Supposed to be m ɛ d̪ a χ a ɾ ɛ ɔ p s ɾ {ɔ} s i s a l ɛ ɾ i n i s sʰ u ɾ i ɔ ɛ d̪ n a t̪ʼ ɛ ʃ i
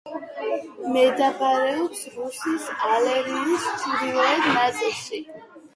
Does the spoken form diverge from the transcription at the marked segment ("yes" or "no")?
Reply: yes